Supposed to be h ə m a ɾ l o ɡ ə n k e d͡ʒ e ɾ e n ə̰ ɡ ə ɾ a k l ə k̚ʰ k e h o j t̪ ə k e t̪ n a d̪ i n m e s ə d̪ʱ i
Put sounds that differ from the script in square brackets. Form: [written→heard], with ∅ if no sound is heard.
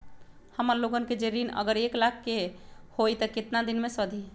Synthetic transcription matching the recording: h ə m [a→ə] ɾ l o ɡ ə n k e d͡ʒ e ɾ [e→i] n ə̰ ɡ ə ɾ [a→e] k l [ə→a] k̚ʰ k e h o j t̪ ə k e t̪ n a d̪ i n m e s ə d̪ʱ i